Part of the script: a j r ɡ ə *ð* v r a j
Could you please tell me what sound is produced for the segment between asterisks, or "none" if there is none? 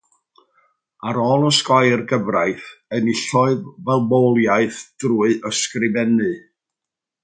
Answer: none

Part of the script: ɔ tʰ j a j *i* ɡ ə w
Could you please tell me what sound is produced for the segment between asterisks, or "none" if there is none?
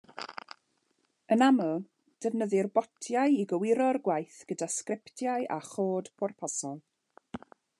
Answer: i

